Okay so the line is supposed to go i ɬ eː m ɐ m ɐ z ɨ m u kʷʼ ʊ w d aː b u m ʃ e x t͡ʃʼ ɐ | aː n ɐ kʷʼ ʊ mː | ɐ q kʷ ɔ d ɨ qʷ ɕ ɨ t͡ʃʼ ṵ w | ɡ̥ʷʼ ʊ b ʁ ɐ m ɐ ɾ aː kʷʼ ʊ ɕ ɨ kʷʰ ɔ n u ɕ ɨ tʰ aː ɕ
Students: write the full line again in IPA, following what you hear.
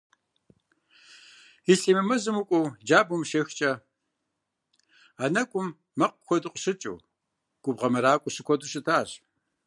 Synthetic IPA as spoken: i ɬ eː m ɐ m ɐ z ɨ m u kʷʼ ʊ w d͡ʒ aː b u m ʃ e x t͡ʃʼ ɐ | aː n ɐ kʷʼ ʊ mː | ɐ q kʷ ɔ d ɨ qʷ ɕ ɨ t͡ʃʼ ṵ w | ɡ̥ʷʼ ʊ b ʁ ɐ m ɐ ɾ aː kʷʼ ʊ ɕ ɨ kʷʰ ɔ d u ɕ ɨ tʰ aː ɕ